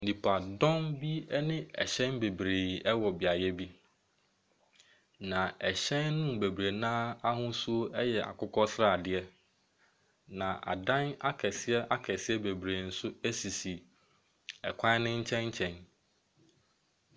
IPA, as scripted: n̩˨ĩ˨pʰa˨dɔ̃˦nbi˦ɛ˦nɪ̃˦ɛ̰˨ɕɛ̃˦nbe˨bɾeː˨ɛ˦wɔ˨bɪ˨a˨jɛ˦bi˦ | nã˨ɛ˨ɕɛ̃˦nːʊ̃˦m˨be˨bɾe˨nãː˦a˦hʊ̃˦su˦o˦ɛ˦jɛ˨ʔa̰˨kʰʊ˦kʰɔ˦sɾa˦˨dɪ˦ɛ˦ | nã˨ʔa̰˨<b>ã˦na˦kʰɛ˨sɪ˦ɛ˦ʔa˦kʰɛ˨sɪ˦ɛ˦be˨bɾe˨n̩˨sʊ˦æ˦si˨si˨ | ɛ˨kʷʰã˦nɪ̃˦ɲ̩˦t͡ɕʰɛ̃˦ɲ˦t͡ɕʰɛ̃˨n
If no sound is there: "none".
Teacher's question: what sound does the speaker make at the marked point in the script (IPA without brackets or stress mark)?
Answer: d